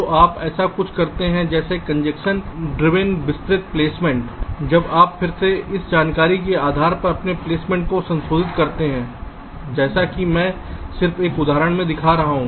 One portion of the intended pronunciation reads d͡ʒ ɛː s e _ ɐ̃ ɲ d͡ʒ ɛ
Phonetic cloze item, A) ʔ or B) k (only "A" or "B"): B